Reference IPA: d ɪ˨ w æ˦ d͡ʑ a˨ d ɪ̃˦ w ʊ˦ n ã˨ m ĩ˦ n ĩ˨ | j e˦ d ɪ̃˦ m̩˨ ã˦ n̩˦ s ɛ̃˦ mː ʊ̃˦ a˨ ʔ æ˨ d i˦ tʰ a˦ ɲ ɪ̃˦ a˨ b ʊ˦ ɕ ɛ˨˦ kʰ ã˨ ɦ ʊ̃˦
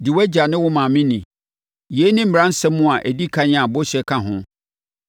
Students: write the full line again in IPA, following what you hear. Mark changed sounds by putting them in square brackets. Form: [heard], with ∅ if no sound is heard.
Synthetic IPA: d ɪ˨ w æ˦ d͡ʑ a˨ [n] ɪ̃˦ w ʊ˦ [m] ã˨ m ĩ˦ n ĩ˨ | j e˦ [n] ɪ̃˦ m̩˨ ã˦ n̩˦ s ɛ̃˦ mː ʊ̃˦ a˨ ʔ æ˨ d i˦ [kʰ] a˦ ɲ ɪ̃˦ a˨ b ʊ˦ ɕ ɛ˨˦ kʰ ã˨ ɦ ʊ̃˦